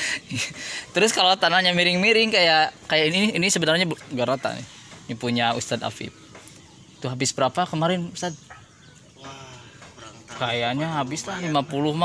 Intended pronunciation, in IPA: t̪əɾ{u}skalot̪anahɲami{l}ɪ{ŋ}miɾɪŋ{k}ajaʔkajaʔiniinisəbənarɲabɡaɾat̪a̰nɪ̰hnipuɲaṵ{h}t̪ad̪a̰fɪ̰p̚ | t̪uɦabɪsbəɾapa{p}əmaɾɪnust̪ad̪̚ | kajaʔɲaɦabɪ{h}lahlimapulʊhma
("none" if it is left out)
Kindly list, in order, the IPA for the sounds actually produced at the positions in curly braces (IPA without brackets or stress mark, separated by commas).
ʊ, ɾ, ŋ, k, s, k, s